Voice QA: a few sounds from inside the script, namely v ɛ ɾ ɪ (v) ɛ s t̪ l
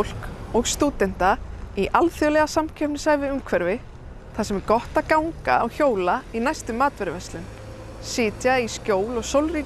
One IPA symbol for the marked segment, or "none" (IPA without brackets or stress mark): v